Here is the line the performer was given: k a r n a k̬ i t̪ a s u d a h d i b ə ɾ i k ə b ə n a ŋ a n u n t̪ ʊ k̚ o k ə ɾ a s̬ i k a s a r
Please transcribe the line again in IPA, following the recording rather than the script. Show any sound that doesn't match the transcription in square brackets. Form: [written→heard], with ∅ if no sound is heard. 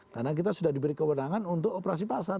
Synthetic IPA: k a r n a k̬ i t̪ a s u d a h d i b ə ɾ i k ə [b→w] ə n a ŋ a n u n t̪ ʊ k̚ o [k→p] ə ɾ a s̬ i [k→p] a s a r